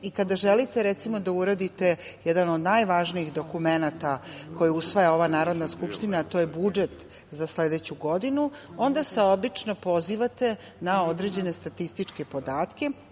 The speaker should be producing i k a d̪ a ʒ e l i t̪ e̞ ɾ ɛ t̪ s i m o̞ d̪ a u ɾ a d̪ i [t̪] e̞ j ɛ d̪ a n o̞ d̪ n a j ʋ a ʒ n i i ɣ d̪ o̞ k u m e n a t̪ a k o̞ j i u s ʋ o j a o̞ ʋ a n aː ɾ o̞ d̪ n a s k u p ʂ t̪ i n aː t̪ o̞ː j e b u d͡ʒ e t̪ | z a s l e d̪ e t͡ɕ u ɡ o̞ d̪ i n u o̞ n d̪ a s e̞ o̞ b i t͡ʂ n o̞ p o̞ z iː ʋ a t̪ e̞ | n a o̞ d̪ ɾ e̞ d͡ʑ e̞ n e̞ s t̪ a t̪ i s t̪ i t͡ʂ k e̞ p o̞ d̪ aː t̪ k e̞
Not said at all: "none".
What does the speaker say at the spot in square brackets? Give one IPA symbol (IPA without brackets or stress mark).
t̪